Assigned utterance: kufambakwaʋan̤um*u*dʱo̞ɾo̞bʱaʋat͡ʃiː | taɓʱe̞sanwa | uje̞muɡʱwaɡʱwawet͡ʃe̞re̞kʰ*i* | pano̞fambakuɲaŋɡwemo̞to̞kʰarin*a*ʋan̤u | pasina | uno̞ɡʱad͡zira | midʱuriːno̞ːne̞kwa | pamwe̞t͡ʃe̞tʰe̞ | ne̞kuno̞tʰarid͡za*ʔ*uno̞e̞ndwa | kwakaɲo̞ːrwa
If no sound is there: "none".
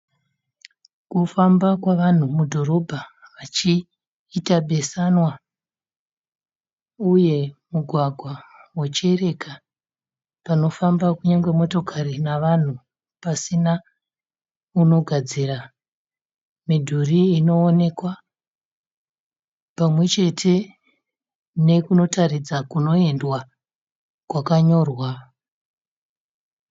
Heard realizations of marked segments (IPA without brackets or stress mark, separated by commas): u, a, a, k